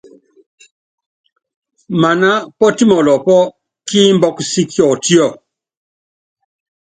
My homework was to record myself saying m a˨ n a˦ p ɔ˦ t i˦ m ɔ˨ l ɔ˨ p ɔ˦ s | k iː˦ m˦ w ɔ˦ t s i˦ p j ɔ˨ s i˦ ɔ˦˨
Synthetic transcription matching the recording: m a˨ n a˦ p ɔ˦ t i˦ m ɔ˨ l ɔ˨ p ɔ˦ | k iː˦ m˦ b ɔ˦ k s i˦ k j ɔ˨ t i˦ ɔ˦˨